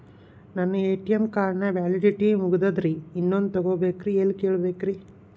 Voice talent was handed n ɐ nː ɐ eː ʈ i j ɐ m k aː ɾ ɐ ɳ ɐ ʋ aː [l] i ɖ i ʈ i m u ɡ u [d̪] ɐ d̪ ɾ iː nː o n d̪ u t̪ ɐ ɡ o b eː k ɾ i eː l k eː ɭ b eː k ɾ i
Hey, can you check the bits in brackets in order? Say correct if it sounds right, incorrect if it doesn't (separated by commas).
correct, correct